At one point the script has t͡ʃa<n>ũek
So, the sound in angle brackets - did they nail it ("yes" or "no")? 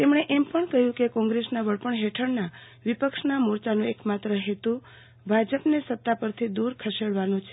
yes